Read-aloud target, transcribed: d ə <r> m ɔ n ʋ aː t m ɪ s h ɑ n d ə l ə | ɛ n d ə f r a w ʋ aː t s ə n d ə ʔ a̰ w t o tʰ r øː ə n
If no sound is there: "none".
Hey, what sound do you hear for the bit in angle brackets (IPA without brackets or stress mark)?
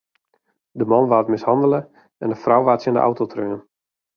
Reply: none